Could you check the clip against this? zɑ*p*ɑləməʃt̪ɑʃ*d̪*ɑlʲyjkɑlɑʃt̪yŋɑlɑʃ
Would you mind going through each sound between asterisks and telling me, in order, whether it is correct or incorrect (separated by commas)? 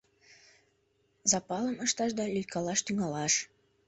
correct, correct